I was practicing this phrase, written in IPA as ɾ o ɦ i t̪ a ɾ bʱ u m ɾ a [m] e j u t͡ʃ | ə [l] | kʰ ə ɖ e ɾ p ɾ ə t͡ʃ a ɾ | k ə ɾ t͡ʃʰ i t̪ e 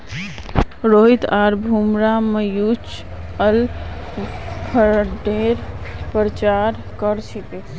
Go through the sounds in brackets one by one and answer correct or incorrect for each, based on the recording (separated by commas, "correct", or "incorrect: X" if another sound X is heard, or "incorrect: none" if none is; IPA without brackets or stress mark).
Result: correct, correct